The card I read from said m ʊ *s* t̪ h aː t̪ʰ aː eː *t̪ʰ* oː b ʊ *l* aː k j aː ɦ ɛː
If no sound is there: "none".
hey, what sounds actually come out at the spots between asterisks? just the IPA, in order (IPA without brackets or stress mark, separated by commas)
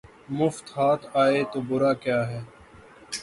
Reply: f, t̪, ɾ